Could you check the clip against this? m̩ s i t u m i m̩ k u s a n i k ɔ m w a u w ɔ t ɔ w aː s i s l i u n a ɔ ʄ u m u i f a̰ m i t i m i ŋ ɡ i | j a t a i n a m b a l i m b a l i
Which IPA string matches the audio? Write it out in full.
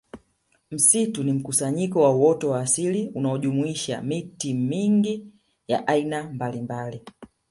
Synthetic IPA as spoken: m̩ s i t u n i m̩ k u s a ɲ i k ɔ w a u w ɔ t ɔ w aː s i l i u n a ɔ ʄ u m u i ʃ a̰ m i t i m i ŋ ɡ i | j a ʔ a i n a m b a l i m b a l i